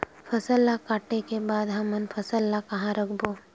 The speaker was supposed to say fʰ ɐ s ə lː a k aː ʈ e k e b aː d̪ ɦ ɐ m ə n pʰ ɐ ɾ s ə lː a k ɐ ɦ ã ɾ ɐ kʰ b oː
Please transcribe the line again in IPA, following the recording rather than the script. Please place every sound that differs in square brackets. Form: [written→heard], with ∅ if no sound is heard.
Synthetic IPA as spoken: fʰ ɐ s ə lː a k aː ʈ e k e b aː d̪ ɦ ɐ m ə n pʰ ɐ [ɾ→∅] s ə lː a k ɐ ɦ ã ɾ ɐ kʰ b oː

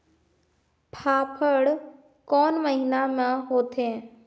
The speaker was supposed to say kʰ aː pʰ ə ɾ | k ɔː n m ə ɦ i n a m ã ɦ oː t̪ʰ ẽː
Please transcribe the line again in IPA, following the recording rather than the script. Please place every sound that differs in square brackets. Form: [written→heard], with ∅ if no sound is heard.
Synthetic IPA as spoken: [kʰ→pʰ] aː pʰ ə [ɾ→ɽ] | k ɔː n m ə ɦ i n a m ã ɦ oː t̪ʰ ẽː

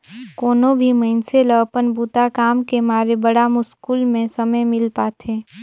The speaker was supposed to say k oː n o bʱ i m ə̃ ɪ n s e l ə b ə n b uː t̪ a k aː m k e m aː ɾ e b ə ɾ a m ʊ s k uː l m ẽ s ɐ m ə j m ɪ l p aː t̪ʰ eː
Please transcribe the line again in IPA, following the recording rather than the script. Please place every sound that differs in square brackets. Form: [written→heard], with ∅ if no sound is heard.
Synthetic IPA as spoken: k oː n o bʱ i m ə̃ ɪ n s e l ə [b→p] ə n b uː t̪ a k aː m k e m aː ɾ e b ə [ɾ→ɽ] a m ʊ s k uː l m ẽ s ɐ m ə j m ɪ l p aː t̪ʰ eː

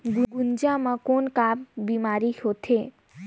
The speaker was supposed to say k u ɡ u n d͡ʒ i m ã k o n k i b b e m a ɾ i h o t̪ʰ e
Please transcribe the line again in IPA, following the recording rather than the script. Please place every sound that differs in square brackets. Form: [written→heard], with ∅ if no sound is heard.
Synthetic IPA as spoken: [k→ɡ] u ɡ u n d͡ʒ [i→a] m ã k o n k [i→a] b b [e→i] m a ɾ i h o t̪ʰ e

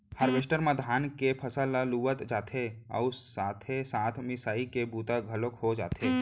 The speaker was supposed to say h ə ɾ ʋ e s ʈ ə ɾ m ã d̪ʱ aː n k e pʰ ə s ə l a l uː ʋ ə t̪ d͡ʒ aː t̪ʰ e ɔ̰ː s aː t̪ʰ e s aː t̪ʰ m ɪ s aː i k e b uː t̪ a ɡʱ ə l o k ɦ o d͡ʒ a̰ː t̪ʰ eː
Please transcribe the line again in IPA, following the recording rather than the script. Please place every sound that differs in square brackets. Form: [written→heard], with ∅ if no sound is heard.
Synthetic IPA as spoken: h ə ɾ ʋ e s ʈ ə ɾ m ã d̪ʱ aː n k e pʰ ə s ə l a l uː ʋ ə t̪ d͡ʒ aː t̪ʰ e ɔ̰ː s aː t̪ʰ e s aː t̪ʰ m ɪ s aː i k e b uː t̪ a ɡʱ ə l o k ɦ o d͡ʒ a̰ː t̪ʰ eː

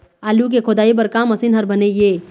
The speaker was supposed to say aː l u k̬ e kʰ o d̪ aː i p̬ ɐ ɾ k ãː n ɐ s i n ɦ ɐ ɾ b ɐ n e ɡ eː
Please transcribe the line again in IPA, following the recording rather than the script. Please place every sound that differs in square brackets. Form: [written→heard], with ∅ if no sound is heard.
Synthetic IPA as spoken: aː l u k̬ e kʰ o d̪ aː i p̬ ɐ ɾ k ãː [n→m] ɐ s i n ɦ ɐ ɾ b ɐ n e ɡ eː

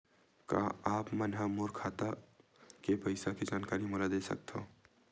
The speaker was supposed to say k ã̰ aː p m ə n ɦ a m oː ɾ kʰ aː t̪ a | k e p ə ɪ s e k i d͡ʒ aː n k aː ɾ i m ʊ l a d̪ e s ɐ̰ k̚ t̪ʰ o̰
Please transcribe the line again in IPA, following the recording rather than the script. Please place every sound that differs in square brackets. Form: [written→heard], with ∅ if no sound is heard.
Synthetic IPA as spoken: k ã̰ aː p m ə n ɦ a m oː ɾ kʰ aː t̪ a | k e p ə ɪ s [e→a] k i d͡ʒ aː n k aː ɾ i m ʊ l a d̪ e s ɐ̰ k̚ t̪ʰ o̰

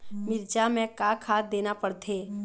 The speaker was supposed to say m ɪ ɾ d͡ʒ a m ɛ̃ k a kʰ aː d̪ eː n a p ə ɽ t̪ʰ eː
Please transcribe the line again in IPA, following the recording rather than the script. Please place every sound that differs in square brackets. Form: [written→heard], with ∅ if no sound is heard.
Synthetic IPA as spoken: m ɪ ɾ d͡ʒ a m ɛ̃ k a kʰ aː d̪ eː n a p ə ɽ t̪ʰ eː

